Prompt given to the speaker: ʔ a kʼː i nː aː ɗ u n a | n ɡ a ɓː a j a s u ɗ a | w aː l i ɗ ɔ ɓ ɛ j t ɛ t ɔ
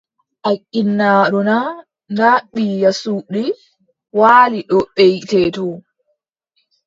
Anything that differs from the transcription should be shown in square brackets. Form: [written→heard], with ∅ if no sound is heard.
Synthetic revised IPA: ʔ a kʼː i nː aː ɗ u n a | n [ɡ→d] a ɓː [a→i] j a s u ɗ [a→i] | w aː l i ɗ ɔ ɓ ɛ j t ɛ t ɔ